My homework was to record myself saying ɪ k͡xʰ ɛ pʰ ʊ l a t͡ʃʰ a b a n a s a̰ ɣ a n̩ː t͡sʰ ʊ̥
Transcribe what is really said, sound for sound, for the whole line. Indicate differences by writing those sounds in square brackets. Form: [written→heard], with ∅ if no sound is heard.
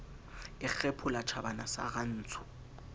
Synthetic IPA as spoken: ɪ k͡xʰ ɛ pʰ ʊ l a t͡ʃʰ a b a n a s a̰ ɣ a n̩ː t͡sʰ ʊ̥